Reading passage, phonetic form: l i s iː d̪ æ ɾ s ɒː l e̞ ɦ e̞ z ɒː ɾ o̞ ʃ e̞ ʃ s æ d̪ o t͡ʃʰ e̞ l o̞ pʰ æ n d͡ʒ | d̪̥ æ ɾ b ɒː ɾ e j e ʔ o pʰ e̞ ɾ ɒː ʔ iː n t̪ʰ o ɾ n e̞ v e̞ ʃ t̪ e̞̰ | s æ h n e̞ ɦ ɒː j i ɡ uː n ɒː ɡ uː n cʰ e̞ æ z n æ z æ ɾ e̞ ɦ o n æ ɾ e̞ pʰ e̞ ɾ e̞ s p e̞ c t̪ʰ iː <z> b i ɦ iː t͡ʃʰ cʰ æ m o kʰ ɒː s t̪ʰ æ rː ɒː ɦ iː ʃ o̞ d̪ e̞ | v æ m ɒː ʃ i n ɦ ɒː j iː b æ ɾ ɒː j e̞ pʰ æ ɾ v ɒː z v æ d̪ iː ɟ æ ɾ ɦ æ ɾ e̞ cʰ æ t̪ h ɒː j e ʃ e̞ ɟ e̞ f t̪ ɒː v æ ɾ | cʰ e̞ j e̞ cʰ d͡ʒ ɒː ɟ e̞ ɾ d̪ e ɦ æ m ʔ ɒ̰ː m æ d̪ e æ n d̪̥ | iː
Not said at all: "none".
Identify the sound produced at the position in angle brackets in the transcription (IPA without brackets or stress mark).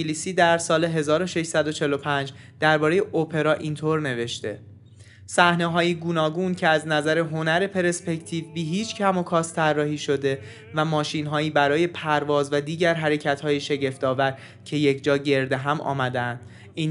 v